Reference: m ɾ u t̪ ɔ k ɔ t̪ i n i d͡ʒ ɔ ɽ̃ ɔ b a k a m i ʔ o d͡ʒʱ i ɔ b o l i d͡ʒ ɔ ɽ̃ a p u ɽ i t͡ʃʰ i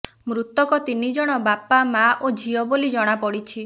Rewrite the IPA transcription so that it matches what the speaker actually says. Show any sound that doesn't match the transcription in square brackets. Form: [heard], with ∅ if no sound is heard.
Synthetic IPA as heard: m ɾ u t̪ ɔ k ɔ t̪ i n i d͡ʒ ɔ ɽ̃ ɔ b a [p] a m [a] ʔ o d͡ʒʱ i ɔ b o l i d͡ʒ ɔ ɽ̃ a p [ɔ] ɽ i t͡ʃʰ i